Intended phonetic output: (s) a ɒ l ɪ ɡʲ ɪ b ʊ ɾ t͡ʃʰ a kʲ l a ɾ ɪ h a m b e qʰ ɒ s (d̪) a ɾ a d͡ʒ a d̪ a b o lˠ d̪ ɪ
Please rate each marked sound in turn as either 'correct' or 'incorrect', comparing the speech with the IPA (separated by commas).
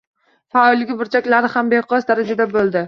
incorrect, correct